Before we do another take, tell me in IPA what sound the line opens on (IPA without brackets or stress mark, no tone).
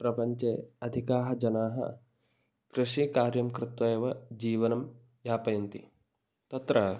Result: p